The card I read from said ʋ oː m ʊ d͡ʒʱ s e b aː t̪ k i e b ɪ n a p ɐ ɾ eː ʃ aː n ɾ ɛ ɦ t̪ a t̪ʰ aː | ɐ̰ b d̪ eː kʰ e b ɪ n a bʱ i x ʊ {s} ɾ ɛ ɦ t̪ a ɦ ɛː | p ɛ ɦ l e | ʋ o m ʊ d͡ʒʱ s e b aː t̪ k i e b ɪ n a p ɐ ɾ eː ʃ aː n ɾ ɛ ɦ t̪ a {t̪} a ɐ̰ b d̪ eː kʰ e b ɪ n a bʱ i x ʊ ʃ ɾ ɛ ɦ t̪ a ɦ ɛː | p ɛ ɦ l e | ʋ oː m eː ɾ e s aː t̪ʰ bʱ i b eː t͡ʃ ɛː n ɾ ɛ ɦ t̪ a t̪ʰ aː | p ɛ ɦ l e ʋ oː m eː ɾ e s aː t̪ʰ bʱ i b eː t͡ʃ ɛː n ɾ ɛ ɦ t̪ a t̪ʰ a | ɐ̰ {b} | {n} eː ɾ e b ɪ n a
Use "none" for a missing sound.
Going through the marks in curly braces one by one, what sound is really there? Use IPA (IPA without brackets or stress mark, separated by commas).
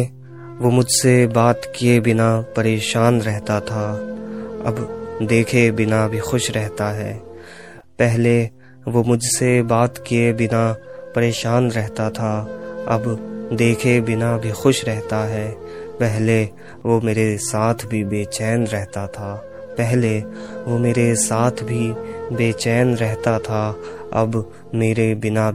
ʃ, t̪ʰ, b, m